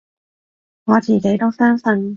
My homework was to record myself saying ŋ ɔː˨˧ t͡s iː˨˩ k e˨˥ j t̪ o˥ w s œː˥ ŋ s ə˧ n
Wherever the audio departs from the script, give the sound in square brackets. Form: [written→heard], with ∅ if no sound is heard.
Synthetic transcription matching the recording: ŋ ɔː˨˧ t͡s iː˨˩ k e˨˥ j t̪ o˥ w s œː˥ ŋ s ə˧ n